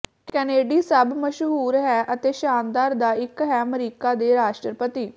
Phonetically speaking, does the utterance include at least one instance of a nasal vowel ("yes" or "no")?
no